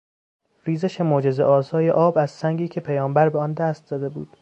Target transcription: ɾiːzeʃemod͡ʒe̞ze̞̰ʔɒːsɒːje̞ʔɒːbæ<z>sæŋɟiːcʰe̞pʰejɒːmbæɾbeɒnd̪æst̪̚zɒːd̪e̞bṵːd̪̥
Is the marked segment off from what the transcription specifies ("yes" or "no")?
no